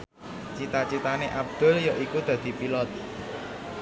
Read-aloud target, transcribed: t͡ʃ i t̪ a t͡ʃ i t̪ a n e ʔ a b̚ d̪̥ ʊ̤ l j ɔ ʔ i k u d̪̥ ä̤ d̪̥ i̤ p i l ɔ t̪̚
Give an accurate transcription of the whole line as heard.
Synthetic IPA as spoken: t͡ʃ i t̪ a t͡ʃ i t̪ a n e ʔ a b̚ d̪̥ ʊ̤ l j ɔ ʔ i k u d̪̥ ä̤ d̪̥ i̤ p i l ɔ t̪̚